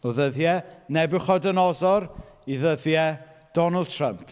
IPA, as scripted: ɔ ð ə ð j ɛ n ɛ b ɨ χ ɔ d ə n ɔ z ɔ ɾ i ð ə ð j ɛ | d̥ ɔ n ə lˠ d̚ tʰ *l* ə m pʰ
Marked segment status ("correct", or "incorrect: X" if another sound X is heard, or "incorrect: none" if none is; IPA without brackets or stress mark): incorrect: r